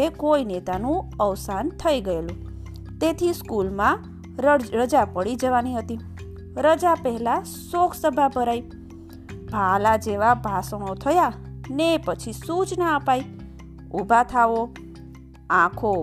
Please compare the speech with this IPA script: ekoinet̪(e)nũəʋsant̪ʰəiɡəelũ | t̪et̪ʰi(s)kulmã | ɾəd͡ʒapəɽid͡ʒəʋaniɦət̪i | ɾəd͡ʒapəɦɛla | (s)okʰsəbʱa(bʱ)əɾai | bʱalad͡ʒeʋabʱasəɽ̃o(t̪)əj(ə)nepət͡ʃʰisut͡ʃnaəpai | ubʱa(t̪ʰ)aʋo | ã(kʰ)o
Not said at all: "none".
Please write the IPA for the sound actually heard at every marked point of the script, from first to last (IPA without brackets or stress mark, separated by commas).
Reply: a, s, s, bʱ, t̪ʰ, a, t̪ʰ, kʰ